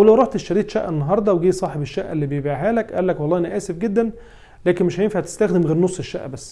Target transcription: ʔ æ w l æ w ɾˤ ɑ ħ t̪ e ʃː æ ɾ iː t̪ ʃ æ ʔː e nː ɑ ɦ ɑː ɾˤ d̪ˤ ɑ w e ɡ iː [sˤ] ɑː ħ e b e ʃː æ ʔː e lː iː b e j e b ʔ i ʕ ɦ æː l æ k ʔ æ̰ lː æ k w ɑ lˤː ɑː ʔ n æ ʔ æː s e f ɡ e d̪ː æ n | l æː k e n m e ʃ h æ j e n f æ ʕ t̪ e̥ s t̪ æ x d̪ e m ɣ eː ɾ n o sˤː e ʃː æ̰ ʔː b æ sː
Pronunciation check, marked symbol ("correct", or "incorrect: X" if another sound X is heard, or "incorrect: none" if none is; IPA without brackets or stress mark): correct